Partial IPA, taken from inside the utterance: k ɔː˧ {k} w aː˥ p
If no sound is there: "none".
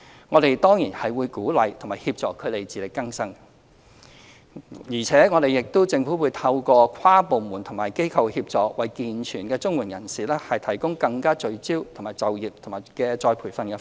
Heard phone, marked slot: kʰ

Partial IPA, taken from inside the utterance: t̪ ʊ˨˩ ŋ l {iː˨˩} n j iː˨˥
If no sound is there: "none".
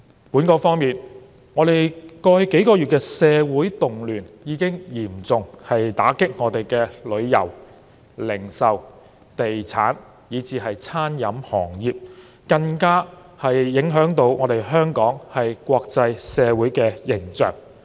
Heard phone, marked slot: yː˨˩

